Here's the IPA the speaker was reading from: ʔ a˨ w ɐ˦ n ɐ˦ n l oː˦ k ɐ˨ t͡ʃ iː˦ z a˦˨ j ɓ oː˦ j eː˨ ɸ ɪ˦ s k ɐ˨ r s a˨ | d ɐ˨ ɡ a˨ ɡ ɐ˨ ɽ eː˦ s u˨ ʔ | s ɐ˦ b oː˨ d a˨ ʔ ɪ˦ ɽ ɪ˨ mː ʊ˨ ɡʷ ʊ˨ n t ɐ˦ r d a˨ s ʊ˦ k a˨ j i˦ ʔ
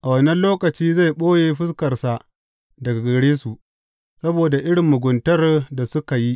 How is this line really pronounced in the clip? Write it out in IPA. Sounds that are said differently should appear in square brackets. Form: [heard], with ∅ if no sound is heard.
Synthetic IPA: ʔ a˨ w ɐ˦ n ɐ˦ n l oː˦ k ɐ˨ t͡ʃ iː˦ z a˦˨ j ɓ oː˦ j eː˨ ɸ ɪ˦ s k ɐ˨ r s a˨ | d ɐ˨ ɡ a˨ ɡ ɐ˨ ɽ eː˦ s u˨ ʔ | s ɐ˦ b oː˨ d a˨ ʔ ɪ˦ ɽ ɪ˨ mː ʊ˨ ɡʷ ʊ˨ n t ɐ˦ r d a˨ s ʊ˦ k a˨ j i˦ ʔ

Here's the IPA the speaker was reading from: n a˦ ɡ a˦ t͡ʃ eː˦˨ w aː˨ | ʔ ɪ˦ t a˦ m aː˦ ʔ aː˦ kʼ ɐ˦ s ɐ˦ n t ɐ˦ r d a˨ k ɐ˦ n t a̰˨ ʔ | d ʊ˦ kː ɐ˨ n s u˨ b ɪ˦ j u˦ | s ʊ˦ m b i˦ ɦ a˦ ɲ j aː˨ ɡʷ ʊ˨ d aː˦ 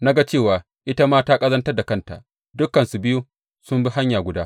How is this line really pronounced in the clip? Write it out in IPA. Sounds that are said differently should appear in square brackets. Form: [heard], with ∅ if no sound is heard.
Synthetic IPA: n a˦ ɡ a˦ t͡ʃ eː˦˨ w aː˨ | ʔ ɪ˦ t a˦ m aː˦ [t] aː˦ kʼ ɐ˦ [z] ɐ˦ n t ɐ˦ r d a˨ k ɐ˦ n t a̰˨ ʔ | d ʊ˦ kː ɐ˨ n s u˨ b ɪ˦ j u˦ | s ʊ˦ m b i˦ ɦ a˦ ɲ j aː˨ ɡʷ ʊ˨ d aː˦

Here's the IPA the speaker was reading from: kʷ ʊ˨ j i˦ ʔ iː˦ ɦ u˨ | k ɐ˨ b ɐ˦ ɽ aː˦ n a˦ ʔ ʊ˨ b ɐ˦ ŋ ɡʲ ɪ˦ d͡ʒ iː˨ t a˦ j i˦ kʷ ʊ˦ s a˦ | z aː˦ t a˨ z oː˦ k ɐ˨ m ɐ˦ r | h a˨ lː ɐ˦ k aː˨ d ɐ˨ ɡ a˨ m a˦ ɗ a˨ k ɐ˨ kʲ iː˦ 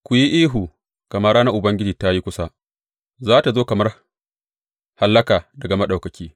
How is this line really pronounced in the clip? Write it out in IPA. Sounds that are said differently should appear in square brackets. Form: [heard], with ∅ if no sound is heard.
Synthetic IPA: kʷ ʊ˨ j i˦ ʔ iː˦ ɦ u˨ | k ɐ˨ [m] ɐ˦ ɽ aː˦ n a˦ ʔ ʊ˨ b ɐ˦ ŋ ɡʲ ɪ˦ d͡ʒ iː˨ t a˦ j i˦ kʷ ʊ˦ s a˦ | z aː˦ t a˨ z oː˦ k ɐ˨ m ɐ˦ r | h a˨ lː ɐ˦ k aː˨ d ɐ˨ ɡ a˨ m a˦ ɗ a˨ k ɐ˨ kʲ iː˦

